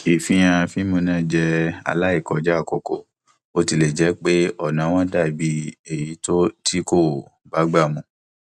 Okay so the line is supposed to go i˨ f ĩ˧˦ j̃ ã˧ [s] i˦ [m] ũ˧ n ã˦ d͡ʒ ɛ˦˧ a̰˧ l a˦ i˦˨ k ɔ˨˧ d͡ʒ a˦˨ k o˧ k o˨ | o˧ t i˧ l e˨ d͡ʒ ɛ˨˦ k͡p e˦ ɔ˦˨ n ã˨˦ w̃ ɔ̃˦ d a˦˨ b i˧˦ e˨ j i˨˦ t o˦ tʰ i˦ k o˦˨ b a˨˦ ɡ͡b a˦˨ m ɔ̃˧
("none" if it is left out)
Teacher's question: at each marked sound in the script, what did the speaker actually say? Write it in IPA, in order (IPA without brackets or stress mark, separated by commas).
f, m